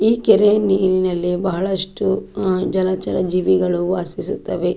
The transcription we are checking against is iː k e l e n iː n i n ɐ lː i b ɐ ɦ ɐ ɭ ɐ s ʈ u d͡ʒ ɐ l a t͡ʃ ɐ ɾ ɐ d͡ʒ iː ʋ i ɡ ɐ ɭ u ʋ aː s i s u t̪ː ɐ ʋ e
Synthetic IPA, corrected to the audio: iː k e ɾ e n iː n i n ɐ lː i b ɐ ɦ ɐ ɭ ɐ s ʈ u d͡ʒ ɐ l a t͡ʃ ɐ ɾ ɐ d͡ʒ iː ʋ i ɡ ɐ ɭ u ʋ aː s i s u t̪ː ɐ ʋ e